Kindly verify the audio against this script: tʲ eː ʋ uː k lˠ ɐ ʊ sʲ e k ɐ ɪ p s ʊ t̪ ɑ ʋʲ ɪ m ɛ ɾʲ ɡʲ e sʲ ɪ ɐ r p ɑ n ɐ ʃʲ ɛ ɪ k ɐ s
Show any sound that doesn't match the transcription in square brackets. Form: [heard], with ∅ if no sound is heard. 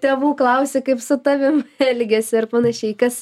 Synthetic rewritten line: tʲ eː ʋ uː k lˠ ɐ ʊ sʲ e k ɐ ɪ p s ʊ t̪ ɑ ʋʲ ɪ m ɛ [lʲ] ɡʲ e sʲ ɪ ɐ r p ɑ n ɐ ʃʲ ɛ ɪ k ɐ s